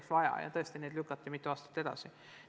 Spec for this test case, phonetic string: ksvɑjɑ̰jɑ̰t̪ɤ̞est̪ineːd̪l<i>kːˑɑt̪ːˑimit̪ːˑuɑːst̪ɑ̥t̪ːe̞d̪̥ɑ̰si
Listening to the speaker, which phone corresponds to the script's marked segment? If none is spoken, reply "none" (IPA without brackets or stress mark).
y